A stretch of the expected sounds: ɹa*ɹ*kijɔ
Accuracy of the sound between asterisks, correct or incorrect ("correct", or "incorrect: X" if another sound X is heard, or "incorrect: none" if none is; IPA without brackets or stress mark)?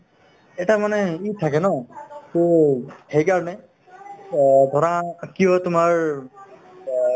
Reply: incorrect: none